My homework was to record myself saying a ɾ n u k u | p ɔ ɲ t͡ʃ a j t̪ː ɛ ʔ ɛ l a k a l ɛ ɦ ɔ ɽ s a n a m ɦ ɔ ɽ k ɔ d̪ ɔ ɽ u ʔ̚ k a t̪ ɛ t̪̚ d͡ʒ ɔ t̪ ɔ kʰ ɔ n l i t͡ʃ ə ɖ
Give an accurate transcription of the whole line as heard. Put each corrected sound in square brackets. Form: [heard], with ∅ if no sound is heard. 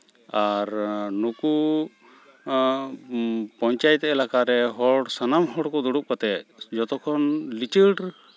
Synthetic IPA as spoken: a ɾ n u k u | p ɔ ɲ t͡ʃ a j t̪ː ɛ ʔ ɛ l a k a [ɾ] ɛ ɦ ɔ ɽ s a n a m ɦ ɔ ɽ k ɔ d̪ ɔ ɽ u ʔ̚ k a t̪ ɛ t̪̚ d͡ʒ ɔ t̪ ɔ kʰ ɔ n l i t͡ʃ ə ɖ

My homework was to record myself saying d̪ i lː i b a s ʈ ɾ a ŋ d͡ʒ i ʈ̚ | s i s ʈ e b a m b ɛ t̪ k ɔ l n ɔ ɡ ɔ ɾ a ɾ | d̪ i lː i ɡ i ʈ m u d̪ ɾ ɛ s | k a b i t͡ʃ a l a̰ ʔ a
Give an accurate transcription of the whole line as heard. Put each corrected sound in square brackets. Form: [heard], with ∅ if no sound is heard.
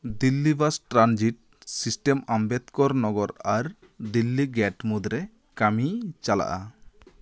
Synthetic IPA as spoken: d̪ i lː i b a s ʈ ɾ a [n] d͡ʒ i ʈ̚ | s i s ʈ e [m] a m b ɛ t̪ k ɔ [ɾ] n ɔ ɡ ɔ ɾ a ɾ | d̪ i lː i ɡ [ɛ] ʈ m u d̪ ɾ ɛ [∅] | k a [m] i t͡ʃ a l a̰ ʔ a

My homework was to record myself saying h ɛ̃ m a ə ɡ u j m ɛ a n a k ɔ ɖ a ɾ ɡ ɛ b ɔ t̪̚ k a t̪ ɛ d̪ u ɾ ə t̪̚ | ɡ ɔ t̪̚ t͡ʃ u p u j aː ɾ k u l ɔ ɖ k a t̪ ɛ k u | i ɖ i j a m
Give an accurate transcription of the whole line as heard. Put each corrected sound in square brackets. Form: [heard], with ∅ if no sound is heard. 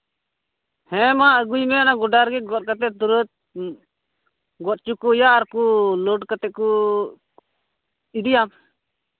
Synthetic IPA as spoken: h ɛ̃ m a ə ɡ u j m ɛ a n a [ɡ] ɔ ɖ a ɾ ɡ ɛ [ɡ] ɔ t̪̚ k a t̪ ɛ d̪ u ɾ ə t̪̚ | ɡ ɔ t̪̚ t͡ʃ u [k] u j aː ɾ k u l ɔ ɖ k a t̪ ɛ k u | i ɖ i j a m

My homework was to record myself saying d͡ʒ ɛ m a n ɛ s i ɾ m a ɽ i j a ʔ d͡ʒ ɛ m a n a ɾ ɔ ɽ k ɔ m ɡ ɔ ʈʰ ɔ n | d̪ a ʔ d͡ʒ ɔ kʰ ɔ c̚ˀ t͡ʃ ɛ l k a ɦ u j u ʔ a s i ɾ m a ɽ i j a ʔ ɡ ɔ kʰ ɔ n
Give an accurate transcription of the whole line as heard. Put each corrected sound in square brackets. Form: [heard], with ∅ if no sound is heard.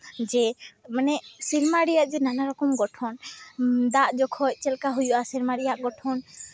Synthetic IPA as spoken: d͡ʒ ɛ m a n ɛ s i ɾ m a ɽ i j a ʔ d͡ʒ ɛ [n] a n a ɾ ɔ [∅] k ɔ m ɡ ɔ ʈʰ ɔ n | d̪ a ʔ d͡ʒ ɔ kʰ ɔ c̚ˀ t͡ʃ ɛ l k a ɦ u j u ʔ a s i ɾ m a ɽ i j a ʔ ɡ ɔ [ʈʰ] ɔ n

